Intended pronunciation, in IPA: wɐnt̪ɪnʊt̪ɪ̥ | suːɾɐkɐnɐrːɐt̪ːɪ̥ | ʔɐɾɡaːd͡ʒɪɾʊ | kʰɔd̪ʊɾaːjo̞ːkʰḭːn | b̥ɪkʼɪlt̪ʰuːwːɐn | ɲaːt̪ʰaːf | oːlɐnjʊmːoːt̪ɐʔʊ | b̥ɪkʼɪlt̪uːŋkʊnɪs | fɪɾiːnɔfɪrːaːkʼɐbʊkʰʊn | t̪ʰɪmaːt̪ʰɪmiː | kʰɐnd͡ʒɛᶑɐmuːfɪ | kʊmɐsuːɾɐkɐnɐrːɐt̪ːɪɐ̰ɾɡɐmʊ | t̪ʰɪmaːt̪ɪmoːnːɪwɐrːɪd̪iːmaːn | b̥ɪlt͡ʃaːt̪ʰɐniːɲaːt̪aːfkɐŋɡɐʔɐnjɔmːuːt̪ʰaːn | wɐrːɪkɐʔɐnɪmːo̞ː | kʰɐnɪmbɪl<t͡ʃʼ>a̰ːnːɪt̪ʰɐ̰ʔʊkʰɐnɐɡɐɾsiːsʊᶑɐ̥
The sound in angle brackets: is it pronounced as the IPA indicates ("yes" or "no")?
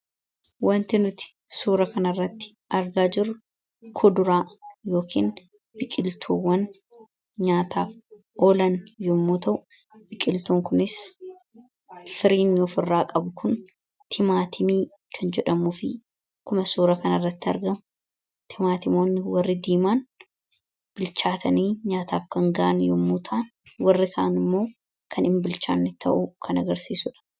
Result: no